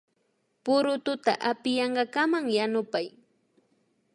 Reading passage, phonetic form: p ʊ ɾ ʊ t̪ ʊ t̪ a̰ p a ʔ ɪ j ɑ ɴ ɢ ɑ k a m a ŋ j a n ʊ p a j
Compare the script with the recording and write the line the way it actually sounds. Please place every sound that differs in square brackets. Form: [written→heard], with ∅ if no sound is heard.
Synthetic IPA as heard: p ʊ ɾ ʊ t̪ ʊ t̪ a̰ [p→ʔ] a [ʔ→p] ɪ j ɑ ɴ ɢ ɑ k a m a ŋ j a n ʊ p a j